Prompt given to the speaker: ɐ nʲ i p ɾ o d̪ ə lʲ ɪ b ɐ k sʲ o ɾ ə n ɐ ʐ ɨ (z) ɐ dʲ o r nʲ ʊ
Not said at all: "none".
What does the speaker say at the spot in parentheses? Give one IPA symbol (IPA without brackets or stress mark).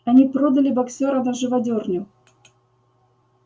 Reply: v